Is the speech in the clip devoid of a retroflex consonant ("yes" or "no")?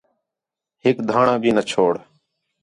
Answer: no